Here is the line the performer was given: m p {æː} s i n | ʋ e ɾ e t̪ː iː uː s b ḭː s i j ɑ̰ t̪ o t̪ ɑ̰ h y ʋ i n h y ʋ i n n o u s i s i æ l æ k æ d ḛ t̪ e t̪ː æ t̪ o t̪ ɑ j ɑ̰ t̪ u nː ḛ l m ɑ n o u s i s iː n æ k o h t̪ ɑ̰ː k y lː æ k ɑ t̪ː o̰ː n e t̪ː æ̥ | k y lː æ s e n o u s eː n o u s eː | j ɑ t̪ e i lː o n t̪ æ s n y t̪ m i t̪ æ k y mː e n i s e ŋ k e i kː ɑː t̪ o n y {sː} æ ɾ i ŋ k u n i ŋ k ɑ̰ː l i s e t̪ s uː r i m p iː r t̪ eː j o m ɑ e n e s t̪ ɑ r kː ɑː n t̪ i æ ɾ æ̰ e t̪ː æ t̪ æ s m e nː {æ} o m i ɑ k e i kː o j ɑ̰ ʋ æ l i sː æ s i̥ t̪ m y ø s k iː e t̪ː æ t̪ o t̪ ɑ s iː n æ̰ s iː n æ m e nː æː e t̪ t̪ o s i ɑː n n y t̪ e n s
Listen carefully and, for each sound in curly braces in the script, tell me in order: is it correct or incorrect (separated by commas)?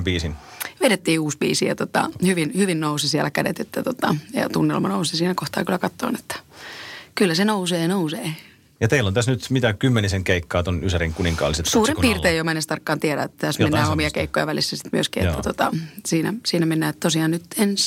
incorrect, incorrect, incorrect